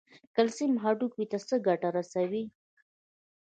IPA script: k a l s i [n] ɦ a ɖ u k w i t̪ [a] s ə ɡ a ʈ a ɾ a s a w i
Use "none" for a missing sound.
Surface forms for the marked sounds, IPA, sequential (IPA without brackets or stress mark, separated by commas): m, a